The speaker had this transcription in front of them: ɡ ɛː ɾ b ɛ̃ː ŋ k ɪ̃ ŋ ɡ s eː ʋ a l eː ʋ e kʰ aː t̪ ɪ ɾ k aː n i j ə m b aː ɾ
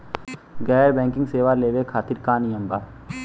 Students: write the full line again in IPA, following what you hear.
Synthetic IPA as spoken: ɡ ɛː ɾ b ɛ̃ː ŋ k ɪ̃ ŋ ɡ s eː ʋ a l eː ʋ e kʰ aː t̪ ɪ ɾ k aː n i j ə m b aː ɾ